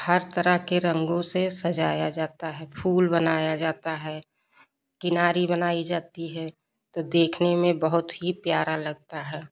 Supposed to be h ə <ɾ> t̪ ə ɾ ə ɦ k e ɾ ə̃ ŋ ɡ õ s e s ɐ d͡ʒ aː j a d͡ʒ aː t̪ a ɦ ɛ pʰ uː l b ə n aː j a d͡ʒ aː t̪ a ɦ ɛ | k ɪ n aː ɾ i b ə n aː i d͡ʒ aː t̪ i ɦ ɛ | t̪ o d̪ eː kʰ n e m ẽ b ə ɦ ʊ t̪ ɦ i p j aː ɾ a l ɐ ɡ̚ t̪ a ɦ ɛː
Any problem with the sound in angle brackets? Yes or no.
no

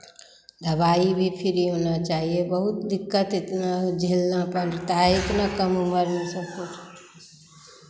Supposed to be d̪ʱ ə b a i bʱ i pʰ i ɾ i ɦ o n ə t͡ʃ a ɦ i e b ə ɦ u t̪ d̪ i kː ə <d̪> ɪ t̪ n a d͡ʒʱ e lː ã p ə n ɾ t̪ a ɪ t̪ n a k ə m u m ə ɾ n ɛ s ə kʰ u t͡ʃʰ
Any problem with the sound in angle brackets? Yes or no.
yes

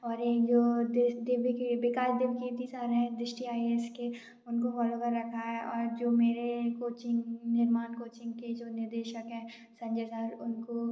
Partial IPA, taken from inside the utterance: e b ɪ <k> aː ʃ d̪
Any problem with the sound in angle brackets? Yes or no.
no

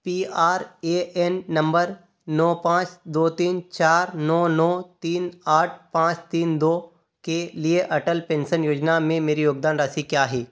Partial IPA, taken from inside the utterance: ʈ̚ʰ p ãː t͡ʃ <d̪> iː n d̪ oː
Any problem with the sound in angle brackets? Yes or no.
yes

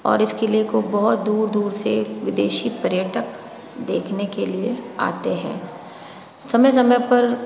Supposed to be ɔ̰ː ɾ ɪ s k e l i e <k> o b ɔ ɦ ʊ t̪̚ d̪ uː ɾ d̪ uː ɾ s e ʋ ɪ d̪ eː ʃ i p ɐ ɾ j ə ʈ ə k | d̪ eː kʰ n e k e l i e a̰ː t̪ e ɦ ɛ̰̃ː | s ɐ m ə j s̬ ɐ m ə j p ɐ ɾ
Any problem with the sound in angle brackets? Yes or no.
no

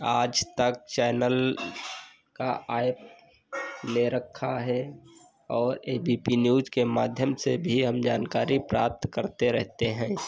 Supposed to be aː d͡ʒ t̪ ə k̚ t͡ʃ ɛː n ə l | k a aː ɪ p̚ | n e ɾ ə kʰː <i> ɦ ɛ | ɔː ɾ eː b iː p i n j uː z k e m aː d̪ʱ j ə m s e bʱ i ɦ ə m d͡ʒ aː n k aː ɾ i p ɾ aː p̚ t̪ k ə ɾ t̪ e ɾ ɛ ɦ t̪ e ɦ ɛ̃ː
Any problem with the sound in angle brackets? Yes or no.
yes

